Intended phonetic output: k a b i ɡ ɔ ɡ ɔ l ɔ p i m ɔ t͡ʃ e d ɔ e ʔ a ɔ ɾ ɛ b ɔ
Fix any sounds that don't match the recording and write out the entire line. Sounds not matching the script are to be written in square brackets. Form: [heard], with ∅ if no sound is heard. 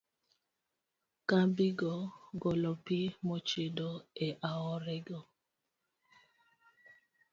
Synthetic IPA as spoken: k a b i ɡ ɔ ɡ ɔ l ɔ p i m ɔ t͡ʃ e d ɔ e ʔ a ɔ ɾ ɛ [ɡ] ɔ